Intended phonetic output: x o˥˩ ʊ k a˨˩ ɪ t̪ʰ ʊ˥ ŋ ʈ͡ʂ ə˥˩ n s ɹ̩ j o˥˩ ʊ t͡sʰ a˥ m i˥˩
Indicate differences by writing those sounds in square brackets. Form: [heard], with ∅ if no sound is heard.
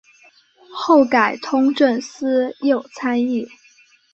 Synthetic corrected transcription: x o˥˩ ʊ k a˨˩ ɪ t̪ʰ ʊ˥ ŋ ʈ͡ʂ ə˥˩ n s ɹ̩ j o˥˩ ʊ t͡sʰ a˥ [n] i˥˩